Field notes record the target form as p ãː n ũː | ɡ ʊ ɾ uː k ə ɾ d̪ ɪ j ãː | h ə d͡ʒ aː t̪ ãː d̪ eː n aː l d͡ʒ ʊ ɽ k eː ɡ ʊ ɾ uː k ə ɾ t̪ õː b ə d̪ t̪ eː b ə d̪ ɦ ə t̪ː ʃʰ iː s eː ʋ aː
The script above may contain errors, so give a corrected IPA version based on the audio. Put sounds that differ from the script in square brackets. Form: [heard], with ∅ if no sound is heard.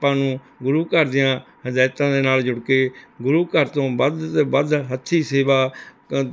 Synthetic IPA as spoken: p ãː n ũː | ɡ ʊ ɾ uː k ə ɾ d̪ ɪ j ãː | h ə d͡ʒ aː t̪ ãː d̪ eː n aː l d͡ʒ ʊ ɽ k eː ɡ ʊ ɾ uː k ə ɾ t̪ õː b ə d̪ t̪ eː b ə d̪ ɦ ə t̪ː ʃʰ iː s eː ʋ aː

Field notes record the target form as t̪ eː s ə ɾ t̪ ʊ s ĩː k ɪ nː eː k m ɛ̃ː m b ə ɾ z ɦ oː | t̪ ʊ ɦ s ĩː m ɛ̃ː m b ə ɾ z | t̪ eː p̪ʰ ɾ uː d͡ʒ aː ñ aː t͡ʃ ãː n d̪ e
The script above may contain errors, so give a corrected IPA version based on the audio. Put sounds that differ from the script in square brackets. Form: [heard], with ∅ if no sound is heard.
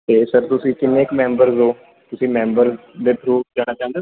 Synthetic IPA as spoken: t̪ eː s ə ɾ t̪ ʊ s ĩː k ɪ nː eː k m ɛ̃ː m b ə ɾ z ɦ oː | t̪ ʊ [∅] s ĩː m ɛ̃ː m b ə ɾ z | [d̪] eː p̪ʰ ɾ uː d͡ʒ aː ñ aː t͡ʃ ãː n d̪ e

